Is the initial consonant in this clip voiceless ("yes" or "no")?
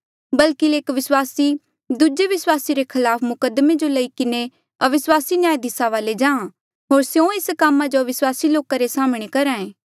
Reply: no